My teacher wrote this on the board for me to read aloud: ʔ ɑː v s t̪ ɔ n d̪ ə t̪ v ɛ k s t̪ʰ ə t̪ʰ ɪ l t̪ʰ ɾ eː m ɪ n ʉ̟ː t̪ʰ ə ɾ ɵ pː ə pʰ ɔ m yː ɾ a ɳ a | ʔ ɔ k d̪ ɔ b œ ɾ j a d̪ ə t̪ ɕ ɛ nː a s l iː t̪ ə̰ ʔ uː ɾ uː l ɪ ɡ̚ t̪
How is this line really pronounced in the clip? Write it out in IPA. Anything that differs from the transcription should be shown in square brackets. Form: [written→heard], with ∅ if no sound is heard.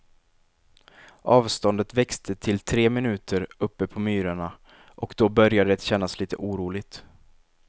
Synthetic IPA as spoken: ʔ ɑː v s t̪ ɔ n d̪ ə t̪ v ɛ k s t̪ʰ ə t̪ʰ ɪ l t̪ʰ ɾ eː m ɪ n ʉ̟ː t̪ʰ ə ɾ ɵ pː ə pʰ ɔ m yː ɾ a ɳ a | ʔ ɔ k d̪ ɔ b œ ɾ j a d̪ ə t̪ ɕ ɛ nː a s l iː t̪ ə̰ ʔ uː ɾ uː l ɪ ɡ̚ t̪

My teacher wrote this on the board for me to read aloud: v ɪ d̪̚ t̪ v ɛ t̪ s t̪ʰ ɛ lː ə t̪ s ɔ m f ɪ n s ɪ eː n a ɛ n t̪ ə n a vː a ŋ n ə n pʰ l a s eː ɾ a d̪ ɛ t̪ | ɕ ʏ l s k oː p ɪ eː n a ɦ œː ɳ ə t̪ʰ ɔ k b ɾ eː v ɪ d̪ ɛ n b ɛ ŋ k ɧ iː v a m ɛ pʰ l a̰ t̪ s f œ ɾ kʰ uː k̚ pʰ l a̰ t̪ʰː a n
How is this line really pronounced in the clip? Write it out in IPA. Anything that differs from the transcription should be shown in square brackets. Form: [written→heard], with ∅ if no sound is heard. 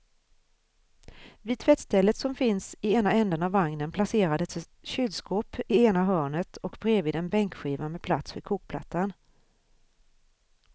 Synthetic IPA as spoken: v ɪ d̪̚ [t̪→t̪ʰ] v ɛ t̪ s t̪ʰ ɛ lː ə t̪ s ɔ m f ɪ n s ɪ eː n a ɛ n [t̪→d̪] ə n a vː a ŋ n ə n pʰ l a s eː ɾ a d̪ ɛ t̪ | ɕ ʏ l s k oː p ɪ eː n a ɦ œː ɳ ə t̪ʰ ɔ k b ɾ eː v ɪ d̪ ɛ n b ɛ ŋ k ɧ iː v a m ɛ pʰ l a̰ t̪ s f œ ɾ kʰ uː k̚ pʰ l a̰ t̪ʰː a n

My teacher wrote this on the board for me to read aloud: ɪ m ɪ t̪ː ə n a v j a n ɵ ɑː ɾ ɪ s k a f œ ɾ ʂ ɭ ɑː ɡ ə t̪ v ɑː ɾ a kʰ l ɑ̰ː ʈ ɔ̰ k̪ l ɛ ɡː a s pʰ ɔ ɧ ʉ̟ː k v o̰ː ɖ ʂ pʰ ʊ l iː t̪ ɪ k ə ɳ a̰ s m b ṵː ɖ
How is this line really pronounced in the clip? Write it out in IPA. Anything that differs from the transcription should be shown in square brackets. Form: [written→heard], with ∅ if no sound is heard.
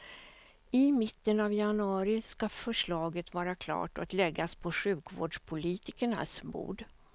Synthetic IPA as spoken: ɪ m ɪ t̪ː ə n a v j a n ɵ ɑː ɾ ɪ s k a f œ [ɾ→∅] ʂ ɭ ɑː ɡ ə t̪ v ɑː ɾ a kʰ l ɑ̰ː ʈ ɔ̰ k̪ l ɛ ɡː a s pʰ ɔ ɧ ʉ̟ː k v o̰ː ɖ ʂ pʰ ʊ l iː t̪ ɪ k ə ɳ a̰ s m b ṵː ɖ

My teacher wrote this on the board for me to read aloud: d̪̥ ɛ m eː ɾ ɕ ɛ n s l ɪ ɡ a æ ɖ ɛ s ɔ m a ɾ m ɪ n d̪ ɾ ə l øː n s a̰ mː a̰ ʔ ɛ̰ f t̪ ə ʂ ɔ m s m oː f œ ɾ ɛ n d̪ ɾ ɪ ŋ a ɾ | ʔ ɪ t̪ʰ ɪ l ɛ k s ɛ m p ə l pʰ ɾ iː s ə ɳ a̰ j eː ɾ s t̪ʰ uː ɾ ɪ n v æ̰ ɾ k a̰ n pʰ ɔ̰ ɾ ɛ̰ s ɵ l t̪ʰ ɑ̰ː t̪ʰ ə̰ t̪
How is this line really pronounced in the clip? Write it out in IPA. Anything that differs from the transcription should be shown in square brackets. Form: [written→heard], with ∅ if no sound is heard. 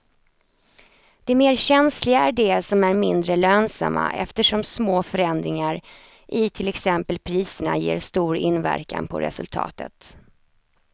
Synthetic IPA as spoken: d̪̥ ɛ m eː ɾ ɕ ɛ n s l ɪ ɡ a æ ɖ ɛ s ɔ m [a→æ] ɾ m ɪ n d̪ ɾ ə l øː n s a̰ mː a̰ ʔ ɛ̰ f t̪ ə ʂ ɔ m s m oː f œ ɾ ɛ n d̪ ɾ ɪ ŋ a ɾ | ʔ ɪ t̪ʰ ɪ l ɛ k s ɛ m p ə l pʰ ɾ iː s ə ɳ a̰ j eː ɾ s [t̪ʰ→t̪] uː ɾ ɪ n v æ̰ ɾ k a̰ n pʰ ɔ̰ ɾ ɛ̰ s ɵ l t̪ʰ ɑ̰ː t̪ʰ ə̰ t̪

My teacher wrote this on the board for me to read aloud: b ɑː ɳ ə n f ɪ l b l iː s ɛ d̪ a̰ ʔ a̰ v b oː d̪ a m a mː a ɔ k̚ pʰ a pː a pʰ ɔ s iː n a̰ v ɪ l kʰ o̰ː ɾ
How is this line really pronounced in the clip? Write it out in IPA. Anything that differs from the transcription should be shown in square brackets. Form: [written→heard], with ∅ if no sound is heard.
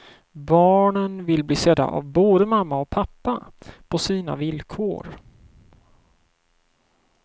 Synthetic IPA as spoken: b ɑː ɳ ə n [f→v] ɪ l b l iː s ɛ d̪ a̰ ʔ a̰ v b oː d̪ [a→ə] m a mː a ɔ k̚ pʰ a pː a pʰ ɔ s iː n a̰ v ɪ l kʰ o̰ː ɾ

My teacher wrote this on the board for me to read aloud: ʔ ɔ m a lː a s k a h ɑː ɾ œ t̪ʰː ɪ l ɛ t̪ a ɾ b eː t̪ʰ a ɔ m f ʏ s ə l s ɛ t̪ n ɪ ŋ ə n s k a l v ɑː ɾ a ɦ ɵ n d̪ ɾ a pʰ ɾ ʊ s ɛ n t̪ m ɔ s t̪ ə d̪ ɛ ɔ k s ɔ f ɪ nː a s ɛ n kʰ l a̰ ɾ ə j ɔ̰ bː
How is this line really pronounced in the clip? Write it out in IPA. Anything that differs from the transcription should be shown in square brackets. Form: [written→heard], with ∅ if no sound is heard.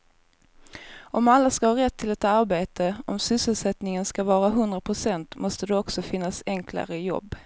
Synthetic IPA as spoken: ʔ ɔ m a lː a s k a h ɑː ɾ [œ→ɛ] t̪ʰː ɪ l ɛ t̪ a ɾ b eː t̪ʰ [a→ə] ɔ m [f→s] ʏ s ə l s ɛ t̪ n ɪ ŋ ə n s k a [l→∅] v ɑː ɾ a ɦ ɵ n d̪ ɾ a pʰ ɾ ʊ s ɛ n t̪ m ɔ s t̪ ə d̪ ɛ ɔ k s ɔ f ɪ nː a s ɛ [n→ŋ] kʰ l a̰ ɾ ə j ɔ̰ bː

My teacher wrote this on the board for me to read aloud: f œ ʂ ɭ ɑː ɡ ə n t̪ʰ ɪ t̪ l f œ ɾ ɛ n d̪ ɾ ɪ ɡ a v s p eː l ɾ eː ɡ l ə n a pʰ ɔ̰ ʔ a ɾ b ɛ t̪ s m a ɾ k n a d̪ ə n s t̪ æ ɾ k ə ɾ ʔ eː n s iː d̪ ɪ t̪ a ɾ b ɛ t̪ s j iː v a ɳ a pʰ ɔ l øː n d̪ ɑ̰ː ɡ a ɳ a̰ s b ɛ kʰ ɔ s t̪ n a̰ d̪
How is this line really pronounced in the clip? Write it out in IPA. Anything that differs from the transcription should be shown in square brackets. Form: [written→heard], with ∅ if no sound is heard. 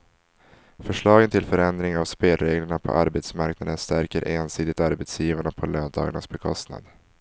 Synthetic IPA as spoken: f œ ʂ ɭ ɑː ɡ ə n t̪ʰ ɪ [t̪→∅] l f œ ɾ ɛ n d̪ ɾ ɪ [ɡ→ŋ] a v s p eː l ɾ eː ɡ l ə [n→ɳ] a pʰ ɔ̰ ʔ a ɾ b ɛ t̪ s m a ɾ k n a d̪ ə n s t̪ æ ɾ k ə ɾ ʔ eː n s iː d̪ ɪ t̪ a ɾ b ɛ t̪ s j iː v a ɳ a pʰ ɔ l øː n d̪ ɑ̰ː ɡ a ɳ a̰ s b ɛ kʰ ɔ s t̪ n a̰ d̪

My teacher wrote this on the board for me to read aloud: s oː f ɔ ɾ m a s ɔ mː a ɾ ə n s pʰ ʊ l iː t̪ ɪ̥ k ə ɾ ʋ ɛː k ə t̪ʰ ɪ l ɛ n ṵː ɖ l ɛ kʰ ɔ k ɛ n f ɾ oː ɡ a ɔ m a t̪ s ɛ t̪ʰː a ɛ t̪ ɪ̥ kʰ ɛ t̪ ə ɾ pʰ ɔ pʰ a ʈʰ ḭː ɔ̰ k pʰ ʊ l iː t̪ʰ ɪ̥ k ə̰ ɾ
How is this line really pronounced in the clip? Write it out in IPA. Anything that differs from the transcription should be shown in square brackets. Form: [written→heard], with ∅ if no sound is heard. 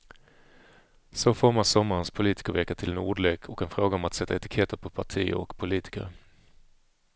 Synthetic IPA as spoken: s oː f ɔ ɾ m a s ɔ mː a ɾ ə n s pʰ ʊ l iː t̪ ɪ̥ k ə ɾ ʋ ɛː k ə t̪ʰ ɪ l ɛ n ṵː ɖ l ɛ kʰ ɔ k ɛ n f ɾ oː ɡ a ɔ m a t̪ s ɛ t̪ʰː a ɛ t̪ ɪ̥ kʰ ɛ t̪ ə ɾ pʰ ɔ pʰ a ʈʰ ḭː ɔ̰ k pʰ ʊ l iː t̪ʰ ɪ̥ k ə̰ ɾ

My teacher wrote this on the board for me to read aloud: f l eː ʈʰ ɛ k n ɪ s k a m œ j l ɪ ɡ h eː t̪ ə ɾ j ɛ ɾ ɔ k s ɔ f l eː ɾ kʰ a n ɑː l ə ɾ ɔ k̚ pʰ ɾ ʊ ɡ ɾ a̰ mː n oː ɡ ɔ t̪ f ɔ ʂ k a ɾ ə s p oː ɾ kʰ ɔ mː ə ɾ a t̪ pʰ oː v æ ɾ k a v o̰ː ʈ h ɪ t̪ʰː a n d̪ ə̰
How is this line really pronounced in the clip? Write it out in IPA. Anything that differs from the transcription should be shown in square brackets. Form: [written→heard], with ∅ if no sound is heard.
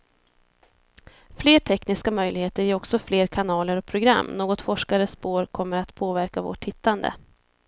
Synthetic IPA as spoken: f l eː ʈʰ ɛ k n ɪ s k a m œ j l ɪ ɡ h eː t̪ ə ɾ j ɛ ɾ ɔ k s ɔ f l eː ɾ kʰ a n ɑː l ə ɾ ɔ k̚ pʰ ɾ ʊ ɡ ɾ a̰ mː n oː ɡ ɔ t̪ f ɔ ʂ k a ɾ ə s p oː ɾ kʰ ɔ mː ə ɾ a t̪ pʰ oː v æ ɾ k a v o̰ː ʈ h ɪ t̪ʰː a n d̪ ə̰

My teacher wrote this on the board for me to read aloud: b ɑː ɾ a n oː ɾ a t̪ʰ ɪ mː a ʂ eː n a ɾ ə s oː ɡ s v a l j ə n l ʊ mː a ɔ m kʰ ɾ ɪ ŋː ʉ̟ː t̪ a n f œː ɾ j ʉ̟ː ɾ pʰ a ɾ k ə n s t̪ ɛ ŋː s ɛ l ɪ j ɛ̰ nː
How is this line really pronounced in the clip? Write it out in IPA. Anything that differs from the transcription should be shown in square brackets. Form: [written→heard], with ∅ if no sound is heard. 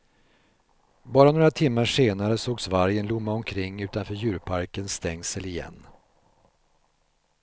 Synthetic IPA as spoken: b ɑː ɾ a n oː ɾ a t̪ʰ ɪ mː a ʂ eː n a ɾ ə s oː ɡ s v a [l→ɾ] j ə n l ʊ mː a ɔ m kʰ ɾ ɪ ŋː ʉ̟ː t̪ a n f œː ɾ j ʉ̟ː ɾ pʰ a ɾ k ə n s t̪ ɛ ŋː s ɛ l ɪ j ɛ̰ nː

